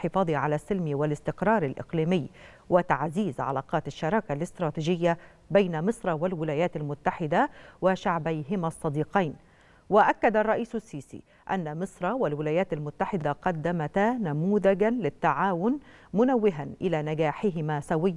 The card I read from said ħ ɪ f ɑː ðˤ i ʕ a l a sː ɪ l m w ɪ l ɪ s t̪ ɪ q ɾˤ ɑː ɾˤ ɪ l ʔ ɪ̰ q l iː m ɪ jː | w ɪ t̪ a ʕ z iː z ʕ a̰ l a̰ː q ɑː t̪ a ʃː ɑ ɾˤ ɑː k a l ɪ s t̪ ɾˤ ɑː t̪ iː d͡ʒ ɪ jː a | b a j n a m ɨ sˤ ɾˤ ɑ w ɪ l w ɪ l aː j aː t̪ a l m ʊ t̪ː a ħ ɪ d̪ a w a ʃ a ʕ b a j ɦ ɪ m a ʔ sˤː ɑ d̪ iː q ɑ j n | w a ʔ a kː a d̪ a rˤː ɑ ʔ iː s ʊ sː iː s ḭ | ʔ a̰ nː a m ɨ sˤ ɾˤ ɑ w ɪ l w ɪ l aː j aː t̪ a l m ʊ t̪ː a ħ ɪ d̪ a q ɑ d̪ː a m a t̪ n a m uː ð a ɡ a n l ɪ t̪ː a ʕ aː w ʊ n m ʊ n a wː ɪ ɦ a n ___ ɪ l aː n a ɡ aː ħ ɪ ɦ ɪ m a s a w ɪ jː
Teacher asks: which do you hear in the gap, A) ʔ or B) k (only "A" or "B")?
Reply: A